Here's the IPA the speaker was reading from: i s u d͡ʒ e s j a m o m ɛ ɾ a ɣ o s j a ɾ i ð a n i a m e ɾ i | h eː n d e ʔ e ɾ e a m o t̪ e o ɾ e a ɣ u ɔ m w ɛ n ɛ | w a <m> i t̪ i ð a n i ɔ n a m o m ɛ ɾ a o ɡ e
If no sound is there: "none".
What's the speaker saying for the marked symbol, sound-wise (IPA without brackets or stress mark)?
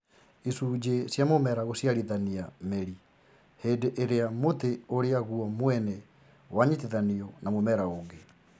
ɲ